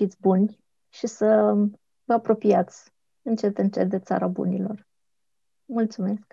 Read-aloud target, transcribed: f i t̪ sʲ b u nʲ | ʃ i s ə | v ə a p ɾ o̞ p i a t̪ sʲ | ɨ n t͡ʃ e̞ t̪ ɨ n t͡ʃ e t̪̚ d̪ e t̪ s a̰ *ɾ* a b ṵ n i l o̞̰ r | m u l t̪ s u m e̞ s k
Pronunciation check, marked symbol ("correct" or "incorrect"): correct